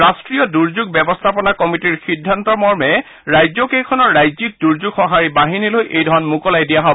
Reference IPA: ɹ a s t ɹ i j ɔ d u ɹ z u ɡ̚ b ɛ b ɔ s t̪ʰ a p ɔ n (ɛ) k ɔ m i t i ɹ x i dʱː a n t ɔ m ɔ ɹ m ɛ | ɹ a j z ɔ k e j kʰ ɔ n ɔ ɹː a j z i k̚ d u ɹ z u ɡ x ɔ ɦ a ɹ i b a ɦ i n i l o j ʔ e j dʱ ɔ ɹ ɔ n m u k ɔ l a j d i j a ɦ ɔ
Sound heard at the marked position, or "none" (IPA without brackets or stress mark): a